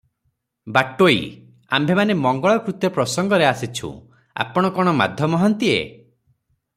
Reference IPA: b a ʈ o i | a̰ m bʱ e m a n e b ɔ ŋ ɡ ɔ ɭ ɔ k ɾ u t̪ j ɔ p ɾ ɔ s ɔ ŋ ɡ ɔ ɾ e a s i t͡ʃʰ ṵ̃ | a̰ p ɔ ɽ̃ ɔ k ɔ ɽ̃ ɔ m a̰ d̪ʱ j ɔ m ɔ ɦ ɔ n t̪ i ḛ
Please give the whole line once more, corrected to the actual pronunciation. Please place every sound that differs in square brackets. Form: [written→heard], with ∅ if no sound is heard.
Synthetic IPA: b a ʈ o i | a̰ m bʱ e m a n e [b→m] ɔ ŋ ɡ ɔ ɭ ɔ k ɾ u t̪ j ɔ p ɾ ɔ s ɔ ŋ ɡ ɔ ɾ e a s i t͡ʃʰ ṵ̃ | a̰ p ɔ ɽ̃ ɔ k ɔ ɽ̃ ɔ m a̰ d̪ʱ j ɔ m ɔ ɦ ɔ n t̪ i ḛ